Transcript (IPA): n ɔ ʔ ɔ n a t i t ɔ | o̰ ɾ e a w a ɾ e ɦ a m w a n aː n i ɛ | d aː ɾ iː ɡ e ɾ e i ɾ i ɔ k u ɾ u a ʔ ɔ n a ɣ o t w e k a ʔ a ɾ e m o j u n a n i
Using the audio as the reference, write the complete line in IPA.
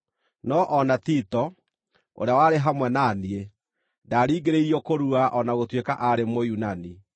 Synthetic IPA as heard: n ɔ ʔ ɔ n a t i t ɔ | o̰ ɾ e a w a ɾ e ɦ a m w ɛ n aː n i e | d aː ɾ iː ɡ e ɾ e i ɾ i ɔ k o ɾ u a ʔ ɔ n a ɣ o t w e k a ʔ a ɾ e m o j u n a n i